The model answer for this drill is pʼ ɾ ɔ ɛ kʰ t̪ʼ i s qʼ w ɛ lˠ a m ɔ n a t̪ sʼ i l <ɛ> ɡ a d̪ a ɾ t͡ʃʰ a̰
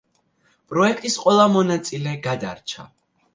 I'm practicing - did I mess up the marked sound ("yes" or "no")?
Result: no